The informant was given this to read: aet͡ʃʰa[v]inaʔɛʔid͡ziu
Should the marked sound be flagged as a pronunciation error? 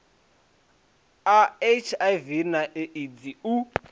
no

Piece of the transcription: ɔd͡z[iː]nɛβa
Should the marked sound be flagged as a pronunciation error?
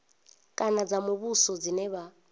yes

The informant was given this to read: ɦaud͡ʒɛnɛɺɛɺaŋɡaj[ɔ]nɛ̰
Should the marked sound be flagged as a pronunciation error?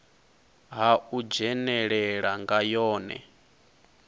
yes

